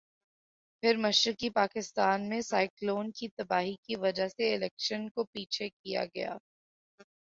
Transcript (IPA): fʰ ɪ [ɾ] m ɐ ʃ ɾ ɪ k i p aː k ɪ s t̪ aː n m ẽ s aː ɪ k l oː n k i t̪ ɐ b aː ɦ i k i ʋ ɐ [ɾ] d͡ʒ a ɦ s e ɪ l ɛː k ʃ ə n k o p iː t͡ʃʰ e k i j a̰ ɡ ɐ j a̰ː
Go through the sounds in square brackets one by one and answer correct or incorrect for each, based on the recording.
correct, incorrect: none

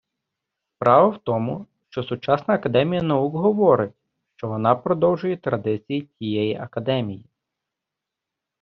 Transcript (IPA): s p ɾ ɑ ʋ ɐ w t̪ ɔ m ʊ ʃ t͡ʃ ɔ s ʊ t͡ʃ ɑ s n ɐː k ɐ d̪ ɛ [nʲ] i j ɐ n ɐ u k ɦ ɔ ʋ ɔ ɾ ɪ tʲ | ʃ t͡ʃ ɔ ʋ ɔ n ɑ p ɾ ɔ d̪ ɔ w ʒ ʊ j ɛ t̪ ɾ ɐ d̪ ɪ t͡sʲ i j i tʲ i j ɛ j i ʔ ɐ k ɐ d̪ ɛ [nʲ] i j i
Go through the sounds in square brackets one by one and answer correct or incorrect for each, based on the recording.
incorrect: mʲ, incorrect: mʲ

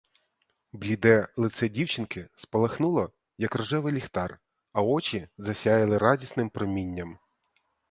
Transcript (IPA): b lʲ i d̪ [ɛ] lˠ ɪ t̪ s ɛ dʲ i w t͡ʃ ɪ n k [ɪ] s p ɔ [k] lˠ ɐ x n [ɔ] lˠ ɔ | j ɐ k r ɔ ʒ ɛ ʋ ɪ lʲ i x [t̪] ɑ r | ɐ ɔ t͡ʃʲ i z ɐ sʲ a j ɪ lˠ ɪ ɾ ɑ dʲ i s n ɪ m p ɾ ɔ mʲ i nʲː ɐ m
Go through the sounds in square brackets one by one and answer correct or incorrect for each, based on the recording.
correct, correct, incorrect: none, incorrect: u, correct

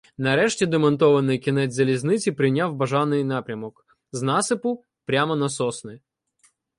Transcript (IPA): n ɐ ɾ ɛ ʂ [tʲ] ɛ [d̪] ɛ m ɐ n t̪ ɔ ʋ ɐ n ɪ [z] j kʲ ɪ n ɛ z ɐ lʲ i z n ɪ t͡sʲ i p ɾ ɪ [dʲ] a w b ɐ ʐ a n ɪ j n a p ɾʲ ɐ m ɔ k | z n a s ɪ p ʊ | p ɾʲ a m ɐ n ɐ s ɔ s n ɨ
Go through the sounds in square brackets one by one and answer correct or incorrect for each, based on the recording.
correct, correct, incorrect: none, incorrect: nʲ

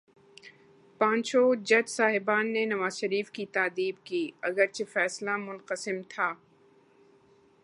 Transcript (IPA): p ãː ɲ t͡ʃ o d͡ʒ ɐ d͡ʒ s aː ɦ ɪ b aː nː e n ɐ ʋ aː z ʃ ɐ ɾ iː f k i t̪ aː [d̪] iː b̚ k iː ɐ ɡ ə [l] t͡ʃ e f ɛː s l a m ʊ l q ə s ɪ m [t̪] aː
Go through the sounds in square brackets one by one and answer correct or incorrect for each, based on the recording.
correct, incorrect: ɾ, incorrect: t̪ʰ

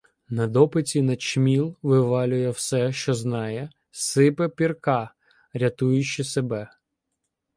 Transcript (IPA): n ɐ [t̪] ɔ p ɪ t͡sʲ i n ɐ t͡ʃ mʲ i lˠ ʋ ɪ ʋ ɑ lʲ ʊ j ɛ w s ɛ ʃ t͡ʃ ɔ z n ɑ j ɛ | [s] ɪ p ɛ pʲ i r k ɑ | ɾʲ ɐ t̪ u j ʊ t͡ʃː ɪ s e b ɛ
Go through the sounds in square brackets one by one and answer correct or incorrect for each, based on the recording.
incorrect: d̪, correct

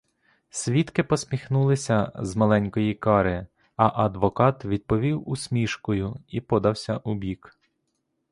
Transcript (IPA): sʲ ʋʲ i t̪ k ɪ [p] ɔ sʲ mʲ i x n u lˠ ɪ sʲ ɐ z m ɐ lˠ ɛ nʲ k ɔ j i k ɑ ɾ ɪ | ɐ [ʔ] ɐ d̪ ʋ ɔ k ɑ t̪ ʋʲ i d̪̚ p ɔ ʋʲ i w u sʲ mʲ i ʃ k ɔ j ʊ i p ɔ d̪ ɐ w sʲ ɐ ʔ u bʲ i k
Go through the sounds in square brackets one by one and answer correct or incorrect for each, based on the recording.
correct, correct

